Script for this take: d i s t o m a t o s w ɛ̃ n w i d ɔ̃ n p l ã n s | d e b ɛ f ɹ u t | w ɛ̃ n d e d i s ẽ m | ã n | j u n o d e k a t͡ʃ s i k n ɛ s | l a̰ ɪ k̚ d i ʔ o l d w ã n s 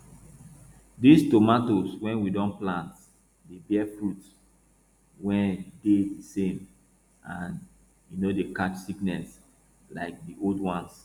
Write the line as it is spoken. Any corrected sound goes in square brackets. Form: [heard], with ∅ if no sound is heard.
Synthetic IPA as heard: d i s t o m a t o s w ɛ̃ n w i d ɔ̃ n p l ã n [t] | d e b ɛ f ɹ u t | w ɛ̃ n d e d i s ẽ m | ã n | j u n o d e k a t͡ʃ s i k n ɛ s | l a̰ ɪ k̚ d i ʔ o l d w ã n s